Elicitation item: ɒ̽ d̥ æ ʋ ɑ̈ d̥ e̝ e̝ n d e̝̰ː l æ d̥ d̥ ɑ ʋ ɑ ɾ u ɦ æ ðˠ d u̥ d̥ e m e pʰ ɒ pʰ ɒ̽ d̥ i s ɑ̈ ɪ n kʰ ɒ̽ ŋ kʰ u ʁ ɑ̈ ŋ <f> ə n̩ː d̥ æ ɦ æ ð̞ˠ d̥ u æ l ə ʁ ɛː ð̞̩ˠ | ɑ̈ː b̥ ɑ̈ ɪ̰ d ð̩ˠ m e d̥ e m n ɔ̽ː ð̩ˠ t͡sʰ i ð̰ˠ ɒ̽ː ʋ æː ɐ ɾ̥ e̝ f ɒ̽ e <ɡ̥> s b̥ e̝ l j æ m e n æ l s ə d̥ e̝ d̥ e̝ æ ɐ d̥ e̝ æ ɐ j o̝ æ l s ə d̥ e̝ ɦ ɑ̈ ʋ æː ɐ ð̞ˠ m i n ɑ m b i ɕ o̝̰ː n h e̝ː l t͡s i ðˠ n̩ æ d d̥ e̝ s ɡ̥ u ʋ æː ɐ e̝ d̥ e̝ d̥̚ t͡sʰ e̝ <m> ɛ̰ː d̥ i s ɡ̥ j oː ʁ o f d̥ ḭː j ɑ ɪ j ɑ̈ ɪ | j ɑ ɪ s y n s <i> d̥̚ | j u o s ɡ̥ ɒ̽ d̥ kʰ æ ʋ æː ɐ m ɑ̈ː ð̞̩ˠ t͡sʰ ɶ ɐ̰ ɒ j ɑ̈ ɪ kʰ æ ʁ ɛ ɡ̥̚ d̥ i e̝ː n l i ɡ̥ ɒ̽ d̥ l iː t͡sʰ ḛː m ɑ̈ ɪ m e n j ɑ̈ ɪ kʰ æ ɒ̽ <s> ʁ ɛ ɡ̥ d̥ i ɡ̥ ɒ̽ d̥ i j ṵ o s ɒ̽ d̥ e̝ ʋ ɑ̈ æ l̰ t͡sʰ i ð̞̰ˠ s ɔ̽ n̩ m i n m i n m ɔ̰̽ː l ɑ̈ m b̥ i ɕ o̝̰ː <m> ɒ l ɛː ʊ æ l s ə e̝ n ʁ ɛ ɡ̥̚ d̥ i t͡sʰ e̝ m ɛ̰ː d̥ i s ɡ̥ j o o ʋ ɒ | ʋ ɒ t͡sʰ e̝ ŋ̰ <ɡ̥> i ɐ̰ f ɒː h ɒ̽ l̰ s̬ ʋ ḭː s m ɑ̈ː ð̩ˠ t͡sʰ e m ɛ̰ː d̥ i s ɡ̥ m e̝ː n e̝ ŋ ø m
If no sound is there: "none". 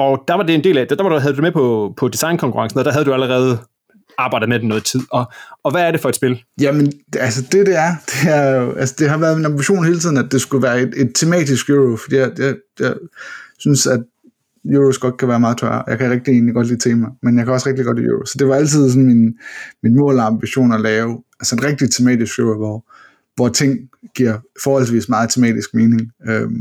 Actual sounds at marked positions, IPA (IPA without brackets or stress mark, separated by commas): s, d̥, m, æ, s, n, ɡ̥